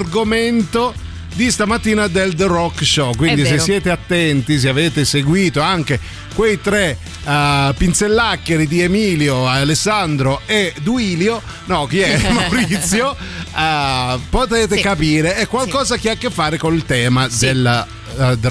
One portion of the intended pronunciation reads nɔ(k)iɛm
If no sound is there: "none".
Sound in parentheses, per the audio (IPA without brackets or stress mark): k